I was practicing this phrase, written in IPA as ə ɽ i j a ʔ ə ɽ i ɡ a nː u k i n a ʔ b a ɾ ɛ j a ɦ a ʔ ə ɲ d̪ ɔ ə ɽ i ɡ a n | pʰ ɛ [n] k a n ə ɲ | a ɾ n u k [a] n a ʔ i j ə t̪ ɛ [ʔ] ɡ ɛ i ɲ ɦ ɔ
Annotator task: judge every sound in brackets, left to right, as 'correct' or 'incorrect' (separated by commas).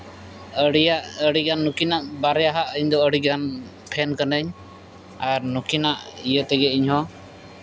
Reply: correct, incorrect, incorrect